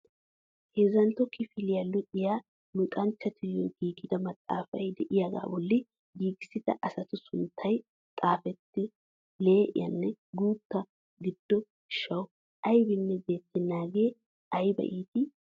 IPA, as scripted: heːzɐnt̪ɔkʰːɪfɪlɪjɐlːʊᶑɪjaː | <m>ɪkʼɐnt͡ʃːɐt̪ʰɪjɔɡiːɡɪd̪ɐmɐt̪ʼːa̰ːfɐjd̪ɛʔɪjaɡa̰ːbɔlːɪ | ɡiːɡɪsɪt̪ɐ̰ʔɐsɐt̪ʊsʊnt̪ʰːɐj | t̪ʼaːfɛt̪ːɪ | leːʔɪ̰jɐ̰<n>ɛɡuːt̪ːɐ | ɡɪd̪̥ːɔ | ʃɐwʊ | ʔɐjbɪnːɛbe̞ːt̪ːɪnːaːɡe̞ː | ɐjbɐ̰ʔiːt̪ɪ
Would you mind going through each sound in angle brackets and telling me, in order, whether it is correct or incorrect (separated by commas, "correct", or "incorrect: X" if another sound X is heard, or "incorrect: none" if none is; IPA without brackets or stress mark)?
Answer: correct, incorrect: nː